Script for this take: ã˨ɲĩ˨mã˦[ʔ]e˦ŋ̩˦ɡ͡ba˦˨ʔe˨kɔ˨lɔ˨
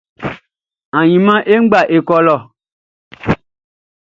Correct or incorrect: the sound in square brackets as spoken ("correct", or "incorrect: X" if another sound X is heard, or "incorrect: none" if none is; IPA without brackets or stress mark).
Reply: correct